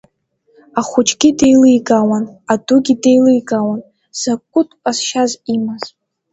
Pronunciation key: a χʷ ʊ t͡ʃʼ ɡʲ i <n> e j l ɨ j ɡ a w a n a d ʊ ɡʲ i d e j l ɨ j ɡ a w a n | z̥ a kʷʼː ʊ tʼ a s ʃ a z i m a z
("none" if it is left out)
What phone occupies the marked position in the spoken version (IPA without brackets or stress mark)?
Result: d